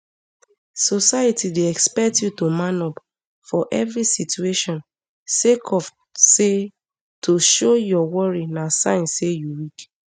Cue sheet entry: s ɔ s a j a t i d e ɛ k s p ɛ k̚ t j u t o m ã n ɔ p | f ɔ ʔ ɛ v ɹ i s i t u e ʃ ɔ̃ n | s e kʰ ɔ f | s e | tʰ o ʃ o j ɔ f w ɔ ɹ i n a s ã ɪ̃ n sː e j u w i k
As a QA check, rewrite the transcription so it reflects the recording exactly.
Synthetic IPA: s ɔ s a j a t i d e ɛ k s p ɛ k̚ t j u t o m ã n ɔ p | f ɔ ʔ ɛ v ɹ i s i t u e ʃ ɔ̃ n | s e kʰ ɔ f | s e | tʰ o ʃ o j ɔ w ɔ ɹ i n a s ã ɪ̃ n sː e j u w i k